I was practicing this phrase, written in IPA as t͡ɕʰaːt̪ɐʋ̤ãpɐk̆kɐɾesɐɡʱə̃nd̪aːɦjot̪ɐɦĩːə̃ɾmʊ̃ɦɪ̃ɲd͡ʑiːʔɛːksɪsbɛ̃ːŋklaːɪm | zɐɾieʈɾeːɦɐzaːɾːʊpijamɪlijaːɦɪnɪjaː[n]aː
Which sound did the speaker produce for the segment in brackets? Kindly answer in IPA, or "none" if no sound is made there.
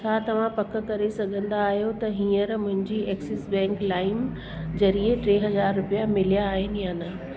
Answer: n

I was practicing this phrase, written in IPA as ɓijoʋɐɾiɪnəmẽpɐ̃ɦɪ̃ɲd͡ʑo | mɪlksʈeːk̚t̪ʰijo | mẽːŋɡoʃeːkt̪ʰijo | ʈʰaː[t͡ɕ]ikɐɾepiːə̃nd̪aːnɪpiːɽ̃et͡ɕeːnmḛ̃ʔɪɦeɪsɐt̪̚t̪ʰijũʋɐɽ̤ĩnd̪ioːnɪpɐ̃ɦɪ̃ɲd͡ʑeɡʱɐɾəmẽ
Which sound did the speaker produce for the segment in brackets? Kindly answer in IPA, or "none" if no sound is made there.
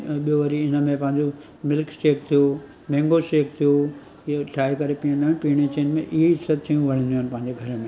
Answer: none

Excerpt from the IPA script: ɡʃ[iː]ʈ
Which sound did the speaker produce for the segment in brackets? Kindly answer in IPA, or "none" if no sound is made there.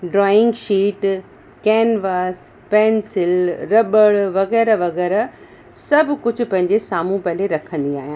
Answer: iː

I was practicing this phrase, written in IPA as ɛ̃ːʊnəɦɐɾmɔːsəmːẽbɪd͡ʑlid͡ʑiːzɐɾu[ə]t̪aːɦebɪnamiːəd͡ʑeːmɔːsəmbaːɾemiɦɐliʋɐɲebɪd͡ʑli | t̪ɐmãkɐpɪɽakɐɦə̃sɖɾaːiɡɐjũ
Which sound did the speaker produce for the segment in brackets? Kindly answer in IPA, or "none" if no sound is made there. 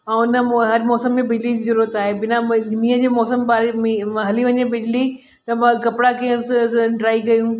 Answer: ə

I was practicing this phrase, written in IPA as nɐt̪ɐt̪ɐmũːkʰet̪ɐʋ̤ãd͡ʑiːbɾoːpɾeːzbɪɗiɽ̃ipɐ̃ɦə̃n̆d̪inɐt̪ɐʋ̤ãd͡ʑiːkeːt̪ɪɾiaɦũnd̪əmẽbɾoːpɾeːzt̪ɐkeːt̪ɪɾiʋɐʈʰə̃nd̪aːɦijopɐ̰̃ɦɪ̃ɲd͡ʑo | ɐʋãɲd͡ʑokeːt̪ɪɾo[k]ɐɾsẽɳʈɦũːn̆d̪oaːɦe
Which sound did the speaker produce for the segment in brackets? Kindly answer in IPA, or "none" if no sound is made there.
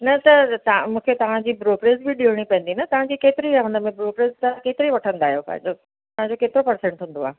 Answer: p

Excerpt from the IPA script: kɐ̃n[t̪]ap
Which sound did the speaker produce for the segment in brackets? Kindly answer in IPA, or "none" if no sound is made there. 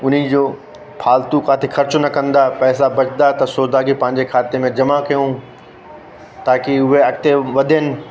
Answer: d̪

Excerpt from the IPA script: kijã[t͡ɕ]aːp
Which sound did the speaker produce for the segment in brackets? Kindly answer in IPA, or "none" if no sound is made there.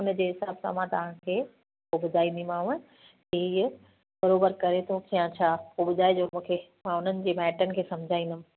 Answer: t͡ɕʰ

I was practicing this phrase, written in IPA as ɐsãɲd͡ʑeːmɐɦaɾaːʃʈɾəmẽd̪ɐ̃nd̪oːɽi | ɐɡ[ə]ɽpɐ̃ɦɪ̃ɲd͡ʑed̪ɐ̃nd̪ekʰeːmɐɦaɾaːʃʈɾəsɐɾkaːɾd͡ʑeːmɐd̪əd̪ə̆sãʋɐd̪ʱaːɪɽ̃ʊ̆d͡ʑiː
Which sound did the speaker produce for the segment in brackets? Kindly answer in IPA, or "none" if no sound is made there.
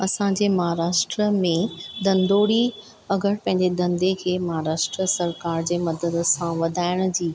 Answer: ə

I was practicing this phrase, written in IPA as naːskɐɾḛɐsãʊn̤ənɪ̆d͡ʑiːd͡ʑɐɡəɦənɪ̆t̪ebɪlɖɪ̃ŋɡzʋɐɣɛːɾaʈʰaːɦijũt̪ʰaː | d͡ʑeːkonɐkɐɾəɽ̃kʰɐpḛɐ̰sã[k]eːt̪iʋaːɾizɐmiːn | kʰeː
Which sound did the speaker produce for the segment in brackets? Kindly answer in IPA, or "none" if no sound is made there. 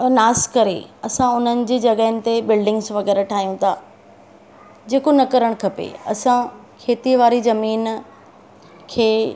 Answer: kʰ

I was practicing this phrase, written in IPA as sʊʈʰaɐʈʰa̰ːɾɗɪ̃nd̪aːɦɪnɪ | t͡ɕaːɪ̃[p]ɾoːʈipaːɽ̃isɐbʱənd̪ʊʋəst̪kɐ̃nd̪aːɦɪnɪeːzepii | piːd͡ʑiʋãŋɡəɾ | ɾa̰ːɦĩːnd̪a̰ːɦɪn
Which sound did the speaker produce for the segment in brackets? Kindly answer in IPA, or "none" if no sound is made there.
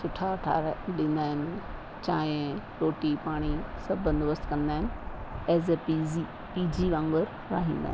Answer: none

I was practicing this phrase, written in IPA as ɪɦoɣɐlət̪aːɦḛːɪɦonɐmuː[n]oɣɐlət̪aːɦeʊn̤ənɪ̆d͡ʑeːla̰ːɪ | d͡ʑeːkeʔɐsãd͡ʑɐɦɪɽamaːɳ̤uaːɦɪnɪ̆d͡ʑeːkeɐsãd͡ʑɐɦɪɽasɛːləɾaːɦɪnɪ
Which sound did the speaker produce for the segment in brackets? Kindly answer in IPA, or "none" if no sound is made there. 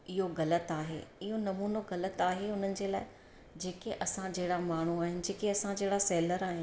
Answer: n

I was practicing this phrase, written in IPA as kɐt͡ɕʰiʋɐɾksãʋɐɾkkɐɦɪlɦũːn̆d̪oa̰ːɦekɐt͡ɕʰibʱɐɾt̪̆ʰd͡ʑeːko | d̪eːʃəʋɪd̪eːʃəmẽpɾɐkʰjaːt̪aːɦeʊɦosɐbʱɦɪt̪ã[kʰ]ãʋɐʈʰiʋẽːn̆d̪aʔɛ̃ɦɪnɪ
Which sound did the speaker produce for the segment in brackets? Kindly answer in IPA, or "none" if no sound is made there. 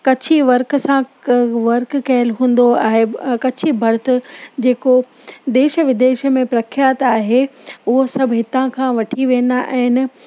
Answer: kʰ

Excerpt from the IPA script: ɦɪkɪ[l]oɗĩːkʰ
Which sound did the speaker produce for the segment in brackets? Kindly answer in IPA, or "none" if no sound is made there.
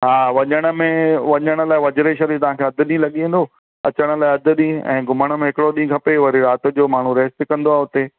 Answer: ɽ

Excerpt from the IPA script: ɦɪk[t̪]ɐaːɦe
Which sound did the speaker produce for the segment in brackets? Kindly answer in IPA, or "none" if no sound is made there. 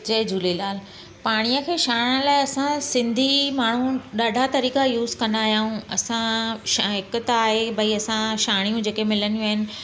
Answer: t̪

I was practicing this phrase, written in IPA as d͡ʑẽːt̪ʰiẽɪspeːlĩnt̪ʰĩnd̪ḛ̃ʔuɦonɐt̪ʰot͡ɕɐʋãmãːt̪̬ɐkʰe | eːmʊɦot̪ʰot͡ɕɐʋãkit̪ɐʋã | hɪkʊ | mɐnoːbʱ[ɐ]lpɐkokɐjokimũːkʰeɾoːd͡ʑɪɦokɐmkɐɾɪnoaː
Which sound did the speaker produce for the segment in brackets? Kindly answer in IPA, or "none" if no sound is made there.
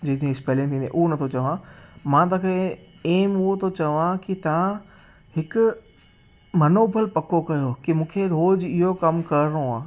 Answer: ə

